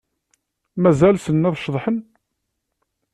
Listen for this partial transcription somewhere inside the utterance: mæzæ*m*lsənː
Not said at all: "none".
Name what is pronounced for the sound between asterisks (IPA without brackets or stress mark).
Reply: none